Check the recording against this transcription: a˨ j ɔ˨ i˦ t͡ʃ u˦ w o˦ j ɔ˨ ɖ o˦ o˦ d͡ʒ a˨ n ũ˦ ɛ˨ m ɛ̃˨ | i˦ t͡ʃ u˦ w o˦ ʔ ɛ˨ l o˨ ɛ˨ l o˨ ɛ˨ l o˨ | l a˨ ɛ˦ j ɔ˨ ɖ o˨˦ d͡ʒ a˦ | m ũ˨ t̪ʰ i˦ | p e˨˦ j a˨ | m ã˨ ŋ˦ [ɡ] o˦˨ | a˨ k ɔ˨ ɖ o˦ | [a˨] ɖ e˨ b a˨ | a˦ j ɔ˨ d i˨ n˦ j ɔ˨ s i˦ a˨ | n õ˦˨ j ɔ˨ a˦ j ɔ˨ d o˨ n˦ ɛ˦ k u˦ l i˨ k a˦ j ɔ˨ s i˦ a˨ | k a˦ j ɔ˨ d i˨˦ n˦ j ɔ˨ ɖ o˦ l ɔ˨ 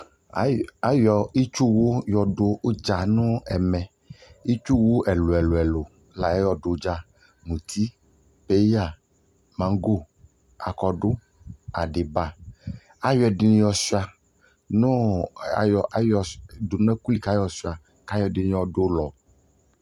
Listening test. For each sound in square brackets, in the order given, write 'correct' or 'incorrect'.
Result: correct, correct

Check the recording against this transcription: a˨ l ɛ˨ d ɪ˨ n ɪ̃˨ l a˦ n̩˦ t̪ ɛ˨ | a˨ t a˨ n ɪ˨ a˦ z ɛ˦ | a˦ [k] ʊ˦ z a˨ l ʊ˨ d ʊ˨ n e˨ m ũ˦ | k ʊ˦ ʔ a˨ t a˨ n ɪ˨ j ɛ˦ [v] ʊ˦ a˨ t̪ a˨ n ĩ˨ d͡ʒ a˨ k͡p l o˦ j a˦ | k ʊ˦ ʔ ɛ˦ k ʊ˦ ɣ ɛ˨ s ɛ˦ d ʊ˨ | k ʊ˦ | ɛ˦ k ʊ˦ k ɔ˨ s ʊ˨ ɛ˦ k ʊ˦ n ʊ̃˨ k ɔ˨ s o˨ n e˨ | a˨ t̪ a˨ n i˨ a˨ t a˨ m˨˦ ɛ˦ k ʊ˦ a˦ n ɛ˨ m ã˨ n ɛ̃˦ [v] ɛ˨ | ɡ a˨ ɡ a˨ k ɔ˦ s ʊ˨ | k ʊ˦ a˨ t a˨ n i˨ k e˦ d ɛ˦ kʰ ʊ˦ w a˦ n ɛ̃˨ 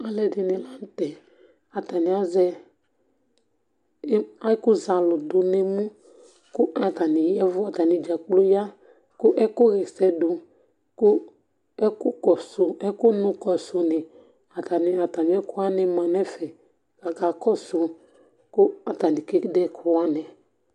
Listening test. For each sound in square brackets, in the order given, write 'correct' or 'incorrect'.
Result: correct, correct, incorrect: f

